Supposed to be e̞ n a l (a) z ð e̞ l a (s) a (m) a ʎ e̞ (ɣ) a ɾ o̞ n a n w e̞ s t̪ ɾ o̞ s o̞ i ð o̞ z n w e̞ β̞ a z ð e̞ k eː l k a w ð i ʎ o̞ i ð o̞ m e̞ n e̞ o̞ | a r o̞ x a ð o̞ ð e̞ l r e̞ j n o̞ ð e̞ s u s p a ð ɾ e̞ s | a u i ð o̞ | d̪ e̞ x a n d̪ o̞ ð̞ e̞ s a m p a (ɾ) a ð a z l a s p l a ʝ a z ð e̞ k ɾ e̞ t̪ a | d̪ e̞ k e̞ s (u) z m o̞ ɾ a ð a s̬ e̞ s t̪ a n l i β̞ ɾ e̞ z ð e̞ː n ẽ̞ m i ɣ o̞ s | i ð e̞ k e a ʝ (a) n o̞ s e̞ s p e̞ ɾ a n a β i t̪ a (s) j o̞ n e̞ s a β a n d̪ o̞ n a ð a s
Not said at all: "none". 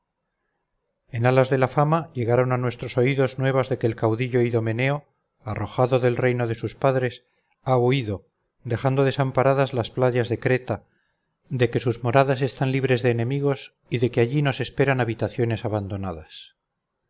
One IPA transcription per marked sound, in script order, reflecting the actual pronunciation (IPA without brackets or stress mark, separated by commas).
a, f, m, ɣ, ɾ, u, i, θ